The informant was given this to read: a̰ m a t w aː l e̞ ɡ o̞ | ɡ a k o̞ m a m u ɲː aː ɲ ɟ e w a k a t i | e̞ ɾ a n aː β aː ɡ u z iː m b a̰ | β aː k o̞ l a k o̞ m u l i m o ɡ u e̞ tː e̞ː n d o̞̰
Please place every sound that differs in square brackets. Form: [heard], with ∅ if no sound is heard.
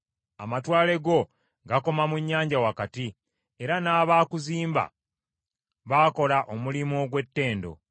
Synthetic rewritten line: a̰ m a t w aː l e̞ ɡ o̞ | ɡ a k o̞ m a m u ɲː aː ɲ ɟ [a] w a k a t i | e̞ ɾ a n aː β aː [k] u z iː m b a̰ | β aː k o̞ l a [ʔ] o̞ m u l i m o ɡ [w] e̞ tː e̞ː n d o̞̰